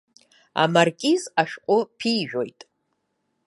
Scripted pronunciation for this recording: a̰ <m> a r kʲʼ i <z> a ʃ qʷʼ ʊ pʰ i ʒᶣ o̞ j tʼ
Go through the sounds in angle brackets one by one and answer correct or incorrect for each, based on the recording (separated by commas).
correct, correct